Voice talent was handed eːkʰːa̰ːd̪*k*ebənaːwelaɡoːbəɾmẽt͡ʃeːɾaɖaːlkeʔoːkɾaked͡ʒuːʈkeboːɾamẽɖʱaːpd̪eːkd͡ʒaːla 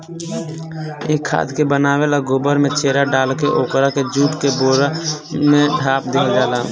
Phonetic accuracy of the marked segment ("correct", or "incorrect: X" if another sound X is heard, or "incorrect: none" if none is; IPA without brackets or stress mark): correct